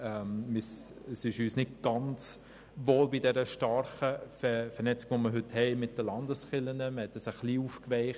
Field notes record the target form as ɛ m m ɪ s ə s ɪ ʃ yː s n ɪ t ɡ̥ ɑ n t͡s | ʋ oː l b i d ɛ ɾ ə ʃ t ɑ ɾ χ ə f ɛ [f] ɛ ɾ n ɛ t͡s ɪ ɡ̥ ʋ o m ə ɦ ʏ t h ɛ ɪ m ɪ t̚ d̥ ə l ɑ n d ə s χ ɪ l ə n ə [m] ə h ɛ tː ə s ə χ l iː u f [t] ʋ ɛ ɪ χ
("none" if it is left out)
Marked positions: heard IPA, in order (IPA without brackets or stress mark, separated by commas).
f, m, k